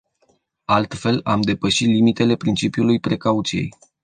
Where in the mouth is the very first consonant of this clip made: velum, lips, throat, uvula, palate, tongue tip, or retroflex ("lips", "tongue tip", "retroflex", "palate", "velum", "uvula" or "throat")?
tongue tip